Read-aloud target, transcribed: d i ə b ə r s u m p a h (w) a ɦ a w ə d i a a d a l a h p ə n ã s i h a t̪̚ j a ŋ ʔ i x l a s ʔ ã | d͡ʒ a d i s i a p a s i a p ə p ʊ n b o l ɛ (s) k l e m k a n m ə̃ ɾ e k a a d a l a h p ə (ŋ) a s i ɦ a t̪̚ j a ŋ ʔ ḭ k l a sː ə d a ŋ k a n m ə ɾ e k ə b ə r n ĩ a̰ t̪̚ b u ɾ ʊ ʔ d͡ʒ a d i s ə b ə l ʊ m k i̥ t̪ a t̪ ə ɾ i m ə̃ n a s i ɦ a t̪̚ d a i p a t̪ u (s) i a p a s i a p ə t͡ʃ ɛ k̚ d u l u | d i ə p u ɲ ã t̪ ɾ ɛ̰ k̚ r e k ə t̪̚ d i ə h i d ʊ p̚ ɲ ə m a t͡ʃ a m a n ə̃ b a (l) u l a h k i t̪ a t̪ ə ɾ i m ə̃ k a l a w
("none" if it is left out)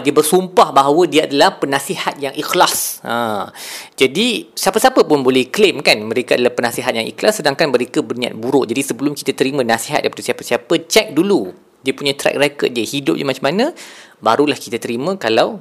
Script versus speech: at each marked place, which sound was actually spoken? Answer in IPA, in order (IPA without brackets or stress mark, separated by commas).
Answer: b, h, n, s, ɾ